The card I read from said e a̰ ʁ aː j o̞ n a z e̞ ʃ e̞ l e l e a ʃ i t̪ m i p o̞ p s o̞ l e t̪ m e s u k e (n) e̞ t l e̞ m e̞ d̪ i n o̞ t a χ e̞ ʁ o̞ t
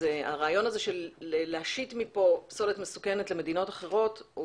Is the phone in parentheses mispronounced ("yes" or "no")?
no